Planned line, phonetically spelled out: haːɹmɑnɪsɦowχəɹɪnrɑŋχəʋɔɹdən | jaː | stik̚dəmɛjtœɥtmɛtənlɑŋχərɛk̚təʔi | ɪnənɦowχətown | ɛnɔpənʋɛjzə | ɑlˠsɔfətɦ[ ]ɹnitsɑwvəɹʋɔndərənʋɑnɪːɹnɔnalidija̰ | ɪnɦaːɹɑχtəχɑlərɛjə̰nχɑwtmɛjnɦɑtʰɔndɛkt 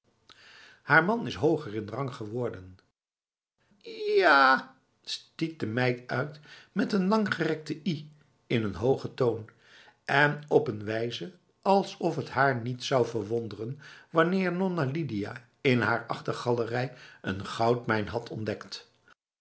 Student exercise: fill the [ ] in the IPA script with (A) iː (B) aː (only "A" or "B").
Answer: B